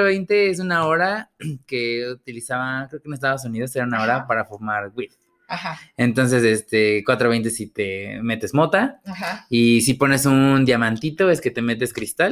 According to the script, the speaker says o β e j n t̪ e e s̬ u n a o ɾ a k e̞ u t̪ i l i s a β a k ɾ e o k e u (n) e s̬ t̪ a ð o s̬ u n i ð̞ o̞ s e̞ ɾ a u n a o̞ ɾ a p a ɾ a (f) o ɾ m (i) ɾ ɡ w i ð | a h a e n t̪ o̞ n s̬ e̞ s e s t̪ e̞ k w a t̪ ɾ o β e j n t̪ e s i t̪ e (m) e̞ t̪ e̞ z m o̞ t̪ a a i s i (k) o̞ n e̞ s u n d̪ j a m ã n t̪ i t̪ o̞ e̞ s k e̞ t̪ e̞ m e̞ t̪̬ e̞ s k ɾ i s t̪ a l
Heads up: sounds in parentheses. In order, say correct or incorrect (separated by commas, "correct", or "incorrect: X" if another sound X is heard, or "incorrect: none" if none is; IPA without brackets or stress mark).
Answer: correct, correct, incorrect: a, correct, incorrect: p